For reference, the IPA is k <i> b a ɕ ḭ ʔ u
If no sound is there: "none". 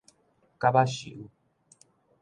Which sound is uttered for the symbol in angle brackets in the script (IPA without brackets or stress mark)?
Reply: a